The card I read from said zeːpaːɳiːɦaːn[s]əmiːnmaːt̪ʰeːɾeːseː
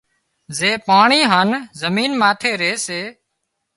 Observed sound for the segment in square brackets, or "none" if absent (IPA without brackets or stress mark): z